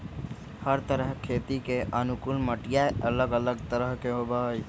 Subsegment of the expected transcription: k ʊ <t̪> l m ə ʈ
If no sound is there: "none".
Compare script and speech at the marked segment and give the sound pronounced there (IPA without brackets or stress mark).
none